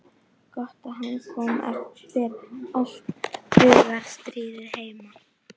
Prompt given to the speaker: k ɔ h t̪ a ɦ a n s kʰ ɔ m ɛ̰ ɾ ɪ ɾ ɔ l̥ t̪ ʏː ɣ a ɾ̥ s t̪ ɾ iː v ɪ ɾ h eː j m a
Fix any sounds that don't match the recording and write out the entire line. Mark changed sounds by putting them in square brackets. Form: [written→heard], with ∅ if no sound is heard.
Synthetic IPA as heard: k ɔ h t̪ a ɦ a n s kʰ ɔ m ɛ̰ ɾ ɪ ɾ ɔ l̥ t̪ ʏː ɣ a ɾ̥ s t̪ ɾ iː [v→ð] ɪ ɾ h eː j m a